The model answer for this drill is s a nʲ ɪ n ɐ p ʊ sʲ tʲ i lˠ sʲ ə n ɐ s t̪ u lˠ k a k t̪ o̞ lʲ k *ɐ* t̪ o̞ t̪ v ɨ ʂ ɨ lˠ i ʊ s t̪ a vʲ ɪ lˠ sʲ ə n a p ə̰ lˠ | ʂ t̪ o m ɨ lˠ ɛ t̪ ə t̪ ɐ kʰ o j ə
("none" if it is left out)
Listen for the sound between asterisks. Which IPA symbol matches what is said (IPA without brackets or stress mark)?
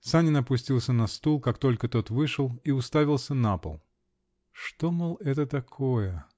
ə